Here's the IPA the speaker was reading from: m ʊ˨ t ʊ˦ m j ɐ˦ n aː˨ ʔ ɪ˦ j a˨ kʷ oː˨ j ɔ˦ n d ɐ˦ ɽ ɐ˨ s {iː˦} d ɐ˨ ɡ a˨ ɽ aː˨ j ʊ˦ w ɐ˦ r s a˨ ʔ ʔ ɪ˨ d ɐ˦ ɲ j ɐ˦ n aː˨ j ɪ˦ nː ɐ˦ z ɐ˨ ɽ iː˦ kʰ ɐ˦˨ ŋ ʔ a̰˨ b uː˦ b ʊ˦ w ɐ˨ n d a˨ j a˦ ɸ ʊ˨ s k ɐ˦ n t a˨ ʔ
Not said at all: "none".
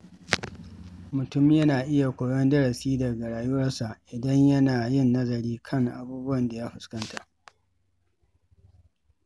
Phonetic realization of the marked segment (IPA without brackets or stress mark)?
iː˦